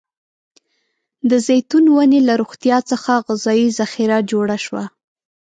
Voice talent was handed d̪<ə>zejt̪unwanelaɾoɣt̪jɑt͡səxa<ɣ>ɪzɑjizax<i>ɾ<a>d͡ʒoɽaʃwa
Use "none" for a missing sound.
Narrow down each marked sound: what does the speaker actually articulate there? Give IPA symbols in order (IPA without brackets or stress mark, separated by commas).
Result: ə, ɣ, i, a